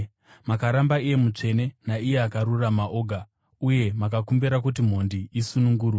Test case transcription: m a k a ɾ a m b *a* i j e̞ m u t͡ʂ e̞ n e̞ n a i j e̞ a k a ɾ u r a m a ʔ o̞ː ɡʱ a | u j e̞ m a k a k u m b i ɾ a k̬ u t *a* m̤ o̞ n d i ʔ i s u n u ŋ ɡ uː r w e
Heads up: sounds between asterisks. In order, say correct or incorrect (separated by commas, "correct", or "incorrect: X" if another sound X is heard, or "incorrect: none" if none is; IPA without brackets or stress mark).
correct, incorrect: i